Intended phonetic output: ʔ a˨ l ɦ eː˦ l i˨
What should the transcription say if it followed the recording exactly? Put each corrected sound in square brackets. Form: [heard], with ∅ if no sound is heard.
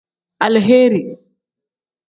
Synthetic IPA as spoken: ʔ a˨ l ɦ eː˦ [ɾ] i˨

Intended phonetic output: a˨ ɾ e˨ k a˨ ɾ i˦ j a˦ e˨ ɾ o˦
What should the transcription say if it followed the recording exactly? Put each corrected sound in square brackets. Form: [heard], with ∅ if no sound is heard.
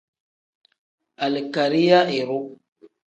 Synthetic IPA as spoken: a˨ [l] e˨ k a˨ ɾ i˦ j a˦ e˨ ɾ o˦

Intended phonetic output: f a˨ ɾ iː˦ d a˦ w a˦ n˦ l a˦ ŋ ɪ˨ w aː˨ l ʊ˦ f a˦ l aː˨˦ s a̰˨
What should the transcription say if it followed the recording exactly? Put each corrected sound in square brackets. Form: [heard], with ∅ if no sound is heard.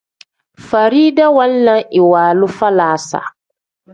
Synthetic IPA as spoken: f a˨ ɾ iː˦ d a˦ w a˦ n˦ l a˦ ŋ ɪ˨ w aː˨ l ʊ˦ f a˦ l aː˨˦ s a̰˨

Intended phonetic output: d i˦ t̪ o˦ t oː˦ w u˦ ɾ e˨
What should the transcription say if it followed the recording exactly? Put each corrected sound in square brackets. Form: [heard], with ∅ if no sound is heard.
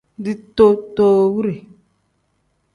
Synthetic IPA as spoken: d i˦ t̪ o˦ t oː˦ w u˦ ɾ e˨

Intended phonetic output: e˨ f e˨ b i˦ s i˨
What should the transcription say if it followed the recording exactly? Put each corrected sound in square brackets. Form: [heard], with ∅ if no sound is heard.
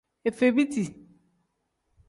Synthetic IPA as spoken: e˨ f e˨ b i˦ [t] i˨

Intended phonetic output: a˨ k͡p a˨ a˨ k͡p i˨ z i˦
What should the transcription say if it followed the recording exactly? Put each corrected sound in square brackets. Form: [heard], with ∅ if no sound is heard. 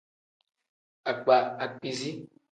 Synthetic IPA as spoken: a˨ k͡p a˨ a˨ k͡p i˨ z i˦

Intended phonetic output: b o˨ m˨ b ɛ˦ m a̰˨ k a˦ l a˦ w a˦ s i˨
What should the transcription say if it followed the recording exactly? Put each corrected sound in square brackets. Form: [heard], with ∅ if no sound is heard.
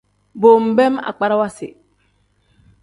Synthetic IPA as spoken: b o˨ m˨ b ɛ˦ m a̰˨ [k͡p] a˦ [ɾ] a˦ w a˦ s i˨

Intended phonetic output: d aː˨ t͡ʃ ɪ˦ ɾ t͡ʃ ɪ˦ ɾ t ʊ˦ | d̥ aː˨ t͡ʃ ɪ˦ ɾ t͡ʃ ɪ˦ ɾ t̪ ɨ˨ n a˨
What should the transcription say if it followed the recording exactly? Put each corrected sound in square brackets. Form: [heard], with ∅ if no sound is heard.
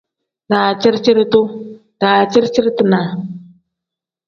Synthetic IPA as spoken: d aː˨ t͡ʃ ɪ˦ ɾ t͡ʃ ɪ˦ ɾ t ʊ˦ | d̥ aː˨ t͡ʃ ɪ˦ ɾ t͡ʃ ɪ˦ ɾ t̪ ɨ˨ n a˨

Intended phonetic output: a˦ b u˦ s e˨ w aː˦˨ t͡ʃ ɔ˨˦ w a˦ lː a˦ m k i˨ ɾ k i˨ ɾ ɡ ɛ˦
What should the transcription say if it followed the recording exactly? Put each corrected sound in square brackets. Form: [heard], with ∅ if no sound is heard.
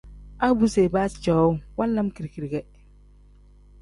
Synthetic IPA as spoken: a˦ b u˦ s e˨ [b] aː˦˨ t͡ʃ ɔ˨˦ w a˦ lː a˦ m k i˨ ɾ k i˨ ɾ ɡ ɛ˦

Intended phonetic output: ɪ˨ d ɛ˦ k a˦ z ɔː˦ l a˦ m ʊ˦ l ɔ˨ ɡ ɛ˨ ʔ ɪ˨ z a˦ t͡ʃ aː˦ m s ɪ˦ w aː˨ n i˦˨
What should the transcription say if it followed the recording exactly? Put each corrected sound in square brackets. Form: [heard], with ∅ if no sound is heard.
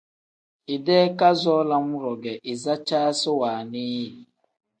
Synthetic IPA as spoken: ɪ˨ d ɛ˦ k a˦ z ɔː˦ l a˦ m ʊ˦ [ɾ] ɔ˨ ɡ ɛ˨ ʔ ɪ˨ z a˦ t͡ʃ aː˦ [∅] s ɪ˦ w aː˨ n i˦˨

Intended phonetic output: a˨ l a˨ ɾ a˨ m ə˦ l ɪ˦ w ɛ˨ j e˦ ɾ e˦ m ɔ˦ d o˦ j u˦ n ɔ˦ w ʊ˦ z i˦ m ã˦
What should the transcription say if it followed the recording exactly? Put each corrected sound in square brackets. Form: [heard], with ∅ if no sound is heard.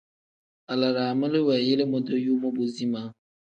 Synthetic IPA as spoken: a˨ l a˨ ɾ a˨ m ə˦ l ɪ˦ w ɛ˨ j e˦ [l] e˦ m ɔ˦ d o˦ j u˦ [m] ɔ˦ [b] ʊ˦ z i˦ m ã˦

